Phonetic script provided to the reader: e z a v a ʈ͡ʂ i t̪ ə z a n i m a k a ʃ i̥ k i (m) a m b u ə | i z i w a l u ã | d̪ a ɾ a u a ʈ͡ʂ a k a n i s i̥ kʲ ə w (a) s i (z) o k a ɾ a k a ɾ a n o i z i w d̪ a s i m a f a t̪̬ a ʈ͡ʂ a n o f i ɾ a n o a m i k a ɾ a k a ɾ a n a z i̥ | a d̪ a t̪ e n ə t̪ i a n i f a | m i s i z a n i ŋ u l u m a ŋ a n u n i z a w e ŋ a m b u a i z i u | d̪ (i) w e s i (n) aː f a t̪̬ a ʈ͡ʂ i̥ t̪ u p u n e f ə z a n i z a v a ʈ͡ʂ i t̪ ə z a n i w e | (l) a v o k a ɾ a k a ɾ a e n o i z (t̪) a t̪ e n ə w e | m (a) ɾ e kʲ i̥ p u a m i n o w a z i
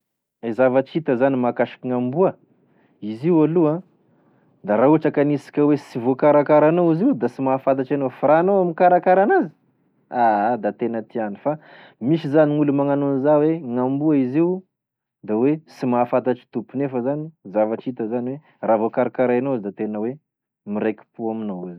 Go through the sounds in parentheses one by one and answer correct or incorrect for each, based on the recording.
incorrect, incorrect, incorrect, incorrect, incorrect, incorrect, incorrect, incorrect

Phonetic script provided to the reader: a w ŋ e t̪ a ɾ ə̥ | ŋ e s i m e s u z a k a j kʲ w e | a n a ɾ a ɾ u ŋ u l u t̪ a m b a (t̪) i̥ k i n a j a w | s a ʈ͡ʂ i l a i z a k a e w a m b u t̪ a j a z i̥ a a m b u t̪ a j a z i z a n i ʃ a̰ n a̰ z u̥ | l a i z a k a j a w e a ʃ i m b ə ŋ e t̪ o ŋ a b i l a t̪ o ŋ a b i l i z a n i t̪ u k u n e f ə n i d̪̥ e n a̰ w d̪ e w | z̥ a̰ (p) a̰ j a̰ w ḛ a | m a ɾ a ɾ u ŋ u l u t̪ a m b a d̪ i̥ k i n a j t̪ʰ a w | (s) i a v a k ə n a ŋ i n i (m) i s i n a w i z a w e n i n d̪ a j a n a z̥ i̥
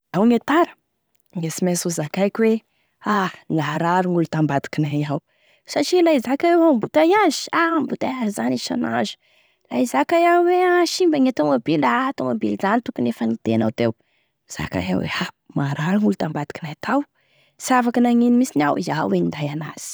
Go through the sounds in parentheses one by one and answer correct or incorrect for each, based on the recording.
incorrect, incorrect, correct, correct

